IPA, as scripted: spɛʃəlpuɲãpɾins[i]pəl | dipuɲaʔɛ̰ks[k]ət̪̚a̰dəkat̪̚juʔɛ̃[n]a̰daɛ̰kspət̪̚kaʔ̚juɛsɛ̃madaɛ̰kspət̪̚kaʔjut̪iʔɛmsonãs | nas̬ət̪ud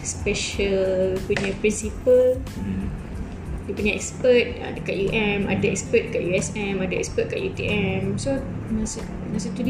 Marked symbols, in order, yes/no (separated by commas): yes, no, no